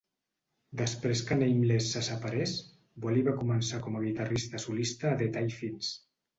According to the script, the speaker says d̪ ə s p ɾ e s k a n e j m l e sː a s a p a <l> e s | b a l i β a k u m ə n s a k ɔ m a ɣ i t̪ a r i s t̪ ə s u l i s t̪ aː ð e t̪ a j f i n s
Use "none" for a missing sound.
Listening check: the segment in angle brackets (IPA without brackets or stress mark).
ɾ